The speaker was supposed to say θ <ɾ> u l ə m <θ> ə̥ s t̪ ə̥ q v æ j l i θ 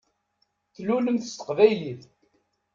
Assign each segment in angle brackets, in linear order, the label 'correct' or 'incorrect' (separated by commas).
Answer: incorrect, correct